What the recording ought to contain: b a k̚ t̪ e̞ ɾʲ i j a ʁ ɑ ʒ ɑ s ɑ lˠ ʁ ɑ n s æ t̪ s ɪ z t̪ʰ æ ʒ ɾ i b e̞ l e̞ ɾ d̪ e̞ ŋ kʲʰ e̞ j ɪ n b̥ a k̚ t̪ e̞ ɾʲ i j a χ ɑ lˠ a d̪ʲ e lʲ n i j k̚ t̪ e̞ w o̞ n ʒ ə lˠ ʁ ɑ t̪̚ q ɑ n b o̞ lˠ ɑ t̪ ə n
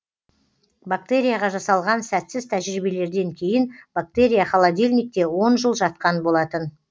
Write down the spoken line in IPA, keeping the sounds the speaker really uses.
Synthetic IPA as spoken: b a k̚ t̪ e̞ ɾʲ i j a ʁ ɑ ʒ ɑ s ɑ lˠ ʁ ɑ n s æ t̪ s ɪ z t̪ʰ æ ʒ ɾ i b e̞ l e̞ ɾ d̪ e̞ ŋ kʲʰ e̞ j ɪ n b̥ a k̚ t̪ e̞ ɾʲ i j a χ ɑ lˠ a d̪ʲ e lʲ n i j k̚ t̪ e̞ w o̞ n ʒ ə lˠ ʒ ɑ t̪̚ q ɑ n b o̞ lˠ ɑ t̪ ə n

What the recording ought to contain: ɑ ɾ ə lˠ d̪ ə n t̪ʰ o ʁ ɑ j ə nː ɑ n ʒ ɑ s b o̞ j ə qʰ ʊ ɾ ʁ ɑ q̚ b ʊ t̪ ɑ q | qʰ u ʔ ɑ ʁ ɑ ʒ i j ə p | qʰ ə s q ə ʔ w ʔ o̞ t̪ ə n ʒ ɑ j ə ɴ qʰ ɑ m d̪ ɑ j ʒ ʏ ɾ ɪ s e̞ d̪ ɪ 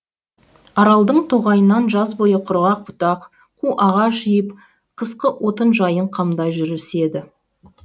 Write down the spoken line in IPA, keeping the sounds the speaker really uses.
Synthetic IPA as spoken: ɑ ɾ ɑ lˠ d̪ ə ɴ t̪ʰ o ʁ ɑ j ə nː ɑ n ʒ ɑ z b o̞ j ə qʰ ʊ ɾ ʁ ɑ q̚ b ʊ t̪ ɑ q | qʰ u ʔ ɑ ʁ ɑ ʒ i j ə p | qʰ ə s q ə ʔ w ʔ o̞ t̪ ə n ʒ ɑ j ə ɴ qʰ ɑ m d̪ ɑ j ʒ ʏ ɾ ɪ s e̞ d̪ ɪ

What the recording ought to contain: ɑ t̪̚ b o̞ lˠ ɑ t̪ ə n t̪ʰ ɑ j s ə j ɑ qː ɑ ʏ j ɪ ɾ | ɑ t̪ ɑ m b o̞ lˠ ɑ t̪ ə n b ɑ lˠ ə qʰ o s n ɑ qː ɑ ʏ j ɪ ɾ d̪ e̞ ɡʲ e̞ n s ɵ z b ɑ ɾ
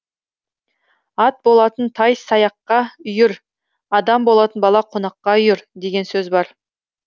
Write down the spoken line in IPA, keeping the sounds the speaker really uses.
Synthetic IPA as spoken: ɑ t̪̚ b o̞ lˠ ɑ t̪ ə n t̪ʰ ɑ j s ɑ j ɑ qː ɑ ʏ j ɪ ɾ | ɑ d̪ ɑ m b o̞ lˠ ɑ t̪ ə n b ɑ lˠ ɑ qʰ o n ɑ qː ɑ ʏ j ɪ ɾ d̪ e̞ ɡʲ e̞ n s ɵ z b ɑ ɾ

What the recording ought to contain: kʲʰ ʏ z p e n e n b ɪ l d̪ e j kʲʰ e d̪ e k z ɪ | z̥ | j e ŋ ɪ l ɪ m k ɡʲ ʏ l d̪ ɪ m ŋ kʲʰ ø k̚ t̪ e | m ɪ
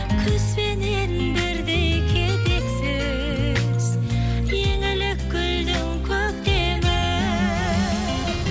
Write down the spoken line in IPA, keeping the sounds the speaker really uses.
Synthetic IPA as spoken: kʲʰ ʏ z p e n e n b ɪ ɾ d̪ e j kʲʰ e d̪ e k s ɪ | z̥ | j e ŋ ɪ l ɪ k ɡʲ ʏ l d̪ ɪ ŋ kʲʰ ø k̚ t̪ e | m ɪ

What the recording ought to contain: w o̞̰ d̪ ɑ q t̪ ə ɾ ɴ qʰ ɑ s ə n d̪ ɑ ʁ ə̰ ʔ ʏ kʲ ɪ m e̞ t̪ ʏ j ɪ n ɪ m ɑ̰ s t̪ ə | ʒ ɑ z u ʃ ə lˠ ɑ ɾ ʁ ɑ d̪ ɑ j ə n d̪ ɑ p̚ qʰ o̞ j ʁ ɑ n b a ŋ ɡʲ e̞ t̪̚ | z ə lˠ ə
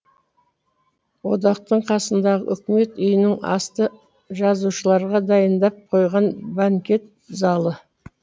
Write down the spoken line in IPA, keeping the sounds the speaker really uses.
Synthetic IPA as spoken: w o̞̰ d̪ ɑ q t̪ ə ɴ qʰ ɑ s ə n d̪ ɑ ʁ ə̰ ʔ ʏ kʲ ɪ m e̞ t̪ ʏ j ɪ n ɪ ŋ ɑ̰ s t̪ ə | ʒ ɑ z u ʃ ə lˠ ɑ ɾ ʁ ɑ d̪ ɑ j ə n d̪ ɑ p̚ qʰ o̞ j ʁ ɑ n b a ŋ kʲ e̞ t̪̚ | z ɑ lˠ ə

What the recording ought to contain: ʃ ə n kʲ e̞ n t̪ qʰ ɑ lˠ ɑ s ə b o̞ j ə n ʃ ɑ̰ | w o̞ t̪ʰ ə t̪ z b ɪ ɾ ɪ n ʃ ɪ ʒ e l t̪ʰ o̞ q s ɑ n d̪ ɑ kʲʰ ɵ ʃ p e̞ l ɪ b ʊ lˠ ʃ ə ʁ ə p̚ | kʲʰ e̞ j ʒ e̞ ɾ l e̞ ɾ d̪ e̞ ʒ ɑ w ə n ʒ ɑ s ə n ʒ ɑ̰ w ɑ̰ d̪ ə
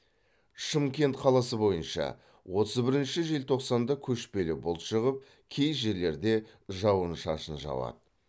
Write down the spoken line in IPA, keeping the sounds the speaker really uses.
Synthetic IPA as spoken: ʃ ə m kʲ e̞ n t̪ qʰ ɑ lˠ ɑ s ə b o̞ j ə n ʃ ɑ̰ | w o̞ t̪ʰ ə z b ɪ ɾ ɪ n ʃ ɪ ʒ e l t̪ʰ o̞ q s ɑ n d̪ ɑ kʲʰ ɵ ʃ p e̞ l ɪ b ʊ lˠ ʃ ə ʁ ə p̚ | kʲʰ e̞ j ʒ e̞ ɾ l e̞ ɾ d̪ e̞ ʒ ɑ w ə n ʃ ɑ ʃ ə n ʒ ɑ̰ w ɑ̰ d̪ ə

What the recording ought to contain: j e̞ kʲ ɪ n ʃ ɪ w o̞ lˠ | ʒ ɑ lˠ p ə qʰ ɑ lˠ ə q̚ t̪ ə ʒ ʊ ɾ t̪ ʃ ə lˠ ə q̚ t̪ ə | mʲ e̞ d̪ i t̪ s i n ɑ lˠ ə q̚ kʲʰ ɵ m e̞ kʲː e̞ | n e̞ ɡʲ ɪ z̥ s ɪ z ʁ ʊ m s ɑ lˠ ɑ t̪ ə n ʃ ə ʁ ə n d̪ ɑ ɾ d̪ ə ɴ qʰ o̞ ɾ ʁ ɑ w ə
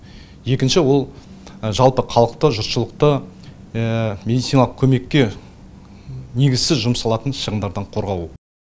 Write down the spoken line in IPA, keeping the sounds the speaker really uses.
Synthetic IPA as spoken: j e̞ kʲ ɪ n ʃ ɪ w o̞ lˠ | ʒ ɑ lˠ p ə qʰ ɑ lˠ ə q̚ t̪ ə ʒ ʊ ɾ t̪ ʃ ə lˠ ə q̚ t̪ ə | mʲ e̞ d̪ i t̪ s i n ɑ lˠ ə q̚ kʲʰ ɵ m e̞ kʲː e̞ | n e̞ ɡʲ ɪ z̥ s ɪ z ʒ ʊ m s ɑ lˠ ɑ t̪ ə n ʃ ə ʁ ə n d̪ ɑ ɾ d̪ ɑ ɴ qʰ o̞ ɾ ʁ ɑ w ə

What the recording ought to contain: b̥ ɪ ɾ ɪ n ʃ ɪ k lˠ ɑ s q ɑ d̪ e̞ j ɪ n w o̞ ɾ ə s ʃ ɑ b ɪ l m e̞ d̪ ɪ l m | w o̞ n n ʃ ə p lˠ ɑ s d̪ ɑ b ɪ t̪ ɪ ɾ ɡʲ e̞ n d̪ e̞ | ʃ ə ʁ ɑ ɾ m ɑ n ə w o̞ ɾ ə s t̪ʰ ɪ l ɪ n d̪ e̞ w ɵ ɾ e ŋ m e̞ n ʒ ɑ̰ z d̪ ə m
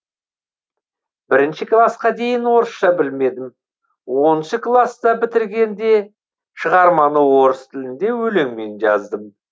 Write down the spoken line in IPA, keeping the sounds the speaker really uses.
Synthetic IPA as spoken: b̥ ɪ ɾ ɪ n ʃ ɪ k lˠ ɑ s q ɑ d̪ e̞ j ɪ n w o̞ ɾ ə s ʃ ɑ b ɪ l m e̞ d̪ ɪ m | w o̞ n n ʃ ə k lˠ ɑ s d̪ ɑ b ɪ t̪ ɪ ɾ ɡʲ e̞ n d̪ e̞ | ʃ ə ʁ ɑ ɾ m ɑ n ə w o̞ ɾ ə s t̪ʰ ɪ l ɪ n d̪ e̞ w ɵ l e ŋ m e̞ n ʒ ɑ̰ z d̪ ə m

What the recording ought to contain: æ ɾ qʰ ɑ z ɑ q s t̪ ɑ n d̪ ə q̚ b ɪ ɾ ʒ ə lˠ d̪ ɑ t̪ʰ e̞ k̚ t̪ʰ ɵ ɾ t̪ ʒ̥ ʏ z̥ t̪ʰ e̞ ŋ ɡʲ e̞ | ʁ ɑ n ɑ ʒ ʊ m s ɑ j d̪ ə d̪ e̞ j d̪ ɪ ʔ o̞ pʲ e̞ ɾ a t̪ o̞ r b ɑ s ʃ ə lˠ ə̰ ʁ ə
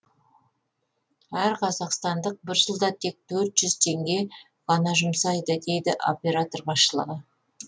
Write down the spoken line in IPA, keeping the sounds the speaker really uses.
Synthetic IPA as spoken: æ ɾ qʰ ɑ z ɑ q s t̪ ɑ n d̪ ə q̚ b ɪ ɾ ʒ ə lˠ d̪ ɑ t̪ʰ e̞ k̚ t̪ʰ ɵ ɾ t̪ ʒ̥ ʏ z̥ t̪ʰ e̞ ŋ ɡʲ e̞ | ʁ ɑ n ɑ ʒ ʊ m s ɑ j d̪ ə d̪ e̞ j d̪ ɪ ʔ o̞ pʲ e̞ ɾ a t̪ o̞ r b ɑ s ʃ ə lˠ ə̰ ʁ ə

